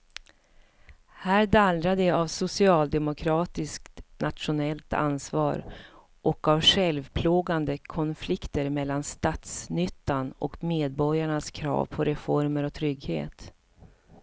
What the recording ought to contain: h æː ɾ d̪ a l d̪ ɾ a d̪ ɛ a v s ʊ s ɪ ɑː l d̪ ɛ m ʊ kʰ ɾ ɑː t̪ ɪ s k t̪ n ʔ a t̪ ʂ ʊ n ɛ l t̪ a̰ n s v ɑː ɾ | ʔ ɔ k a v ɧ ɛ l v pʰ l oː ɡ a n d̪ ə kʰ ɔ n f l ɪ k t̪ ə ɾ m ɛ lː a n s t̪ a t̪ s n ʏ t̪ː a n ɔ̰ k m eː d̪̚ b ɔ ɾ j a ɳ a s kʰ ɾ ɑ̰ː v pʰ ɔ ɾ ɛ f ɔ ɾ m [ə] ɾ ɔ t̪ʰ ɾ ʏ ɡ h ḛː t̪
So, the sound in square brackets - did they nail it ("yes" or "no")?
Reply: yes